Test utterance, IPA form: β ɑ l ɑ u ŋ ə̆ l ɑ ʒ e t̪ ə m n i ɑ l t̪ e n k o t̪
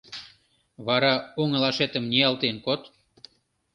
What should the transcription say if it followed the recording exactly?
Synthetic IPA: β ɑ ɾ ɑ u ŋ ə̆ l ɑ ʃ e t̪ ə m n i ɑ l t̪ e n k o t̪